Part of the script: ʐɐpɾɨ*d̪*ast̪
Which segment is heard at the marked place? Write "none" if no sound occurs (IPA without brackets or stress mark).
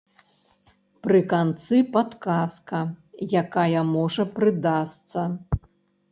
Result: d̪